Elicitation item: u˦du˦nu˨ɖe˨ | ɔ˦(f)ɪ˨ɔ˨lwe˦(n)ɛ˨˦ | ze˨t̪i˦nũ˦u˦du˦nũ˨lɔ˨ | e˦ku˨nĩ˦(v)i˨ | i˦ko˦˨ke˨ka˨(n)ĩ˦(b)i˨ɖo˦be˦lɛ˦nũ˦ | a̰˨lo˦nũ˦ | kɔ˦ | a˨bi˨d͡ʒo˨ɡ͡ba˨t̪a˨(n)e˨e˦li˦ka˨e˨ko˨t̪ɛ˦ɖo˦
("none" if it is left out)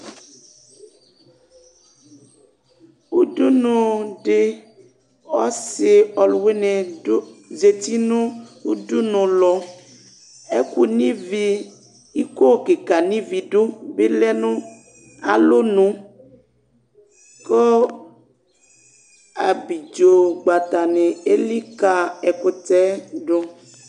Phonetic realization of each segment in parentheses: s, n, v, n, v, n

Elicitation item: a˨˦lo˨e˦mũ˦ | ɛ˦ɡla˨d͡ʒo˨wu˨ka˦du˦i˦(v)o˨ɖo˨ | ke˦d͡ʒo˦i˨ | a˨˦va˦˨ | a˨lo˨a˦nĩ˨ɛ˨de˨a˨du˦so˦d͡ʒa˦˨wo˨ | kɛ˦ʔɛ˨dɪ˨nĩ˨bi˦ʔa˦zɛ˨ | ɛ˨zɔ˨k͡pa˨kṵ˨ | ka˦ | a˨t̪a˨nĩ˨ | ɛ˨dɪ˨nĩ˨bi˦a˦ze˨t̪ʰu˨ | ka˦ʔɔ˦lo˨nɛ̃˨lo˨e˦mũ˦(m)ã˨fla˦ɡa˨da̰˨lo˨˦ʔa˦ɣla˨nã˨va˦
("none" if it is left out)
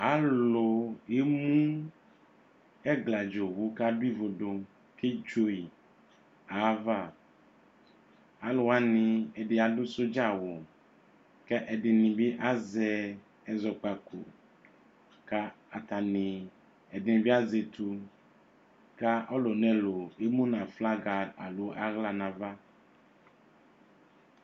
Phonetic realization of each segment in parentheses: v, n

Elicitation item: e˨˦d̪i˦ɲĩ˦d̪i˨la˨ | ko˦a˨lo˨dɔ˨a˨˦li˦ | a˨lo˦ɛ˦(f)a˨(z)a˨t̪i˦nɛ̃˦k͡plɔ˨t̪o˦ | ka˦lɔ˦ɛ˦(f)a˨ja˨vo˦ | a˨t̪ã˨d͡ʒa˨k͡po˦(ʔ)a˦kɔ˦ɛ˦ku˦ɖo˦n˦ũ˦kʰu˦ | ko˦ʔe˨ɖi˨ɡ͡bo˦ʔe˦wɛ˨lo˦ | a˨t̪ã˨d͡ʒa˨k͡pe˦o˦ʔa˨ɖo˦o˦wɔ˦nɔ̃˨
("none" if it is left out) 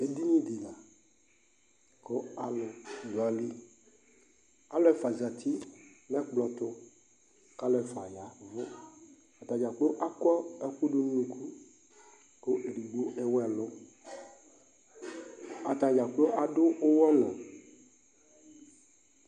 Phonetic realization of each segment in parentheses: f, z, f, ʔ

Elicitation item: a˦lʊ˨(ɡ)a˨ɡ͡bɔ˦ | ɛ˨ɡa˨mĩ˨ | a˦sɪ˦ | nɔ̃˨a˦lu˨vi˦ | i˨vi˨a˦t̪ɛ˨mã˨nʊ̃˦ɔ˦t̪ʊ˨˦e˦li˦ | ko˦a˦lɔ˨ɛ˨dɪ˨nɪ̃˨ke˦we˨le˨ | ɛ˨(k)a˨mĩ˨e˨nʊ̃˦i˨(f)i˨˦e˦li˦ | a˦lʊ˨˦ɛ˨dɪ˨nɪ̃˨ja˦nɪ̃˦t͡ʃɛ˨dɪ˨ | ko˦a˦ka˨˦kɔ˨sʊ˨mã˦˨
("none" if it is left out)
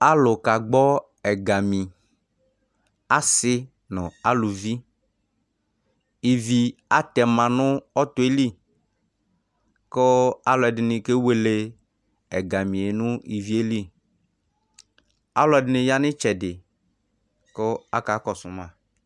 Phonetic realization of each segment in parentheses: k, ɡ, v

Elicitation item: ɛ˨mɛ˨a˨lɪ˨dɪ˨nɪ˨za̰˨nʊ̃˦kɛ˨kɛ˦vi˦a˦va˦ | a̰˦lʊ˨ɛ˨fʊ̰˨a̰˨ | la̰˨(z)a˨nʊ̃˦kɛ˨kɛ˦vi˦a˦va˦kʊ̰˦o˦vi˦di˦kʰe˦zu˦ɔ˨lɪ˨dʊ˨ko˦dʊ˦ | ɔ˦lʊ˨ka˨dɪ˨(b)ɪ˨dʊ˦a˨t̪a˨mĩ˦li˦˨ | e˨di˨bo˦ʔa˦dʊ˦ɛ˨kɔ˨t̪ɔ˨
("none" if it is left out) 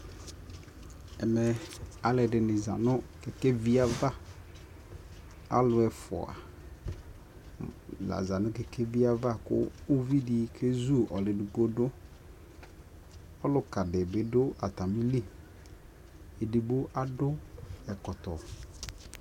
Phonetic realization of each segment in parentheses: z, b

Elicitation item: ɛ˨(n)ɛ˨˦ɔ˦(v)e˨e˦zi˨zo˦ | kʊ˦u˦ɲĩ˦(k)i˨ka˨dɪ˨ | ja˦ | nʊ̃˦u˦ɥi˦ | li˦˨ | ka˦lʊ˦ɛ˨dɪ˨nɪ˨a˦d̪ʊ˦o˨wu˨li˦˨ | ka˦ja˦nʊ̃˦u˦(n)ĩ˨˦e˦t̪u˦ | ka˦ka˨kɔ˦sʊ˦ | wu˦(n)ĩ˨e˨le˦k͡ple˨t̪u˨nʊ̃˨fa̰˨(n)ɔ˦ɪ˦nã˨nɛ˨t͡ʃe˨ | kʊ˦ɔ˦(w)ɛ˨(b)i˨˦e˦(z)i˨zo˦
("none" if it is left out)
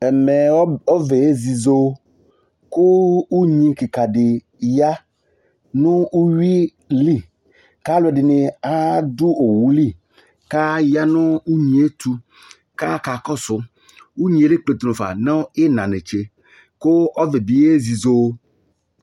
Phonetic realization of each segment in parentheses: m, v, k, ɲ, ɲ, n, v, b, z

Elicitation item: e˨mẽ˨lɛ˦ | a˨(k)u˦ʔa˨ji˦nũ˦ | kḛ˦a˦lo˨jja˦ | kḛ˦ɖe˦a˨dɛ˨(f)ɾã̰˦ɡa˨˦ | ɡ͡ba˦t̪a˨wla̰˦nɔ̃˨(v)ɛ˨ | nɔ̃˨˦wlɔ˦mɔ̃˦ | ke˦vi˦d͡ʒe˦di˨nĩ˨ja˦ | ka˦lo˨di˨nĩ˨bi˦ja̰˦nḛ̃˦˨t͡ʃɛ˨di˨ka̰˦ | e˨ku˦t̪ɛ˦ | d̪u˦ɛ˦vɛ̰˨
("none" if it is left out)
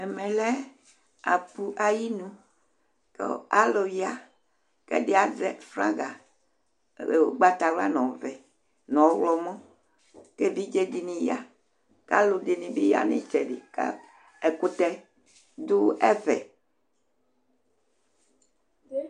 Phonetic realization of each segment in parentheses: p, f, v

